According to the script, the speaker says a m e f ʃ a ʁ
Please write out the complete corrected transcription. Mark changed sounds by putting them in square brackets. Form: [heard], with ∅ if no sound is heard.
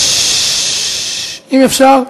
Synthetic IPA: [i] m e f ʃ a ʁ